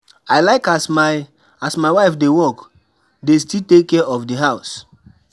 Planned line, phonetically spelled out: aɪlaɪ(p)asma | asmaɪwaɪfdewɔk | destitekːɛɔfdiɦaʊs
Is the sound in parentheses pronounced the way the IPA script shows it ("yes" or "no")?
no